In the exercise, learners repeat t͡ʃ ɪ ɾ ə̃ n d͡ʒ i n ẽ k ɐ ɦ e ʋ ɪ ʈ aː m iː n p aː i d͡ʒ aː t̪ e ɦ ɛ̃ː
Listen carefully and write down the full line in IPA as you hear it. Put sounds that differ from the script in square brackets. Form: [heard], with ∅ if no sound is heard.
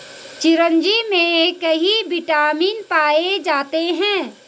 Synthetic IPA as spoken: t͡ʃ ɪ ɾ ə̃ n d͡ʒ i [m] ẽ k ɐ ɦ [i] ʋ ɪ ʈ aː m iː n p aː [e] d͡ʒ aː t̪ e ɦ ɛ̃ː